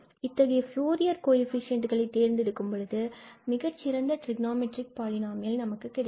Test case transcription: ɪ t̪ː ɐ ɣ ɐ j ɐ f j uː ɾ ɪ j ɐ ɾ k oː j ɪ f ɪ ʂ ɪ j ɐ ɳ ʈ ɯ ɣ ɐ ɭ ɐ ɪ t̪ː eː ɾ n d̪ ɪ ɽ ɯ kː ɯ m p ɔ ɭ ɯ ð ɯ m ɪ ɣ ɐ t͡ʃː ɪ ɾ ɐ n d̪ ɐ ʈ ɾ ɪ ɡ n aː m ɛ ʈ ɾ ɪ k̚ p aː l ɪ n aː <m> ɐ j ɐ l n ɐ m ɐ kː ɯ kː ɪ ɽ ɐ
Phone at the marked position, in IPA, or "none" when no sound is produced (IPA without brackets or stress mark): m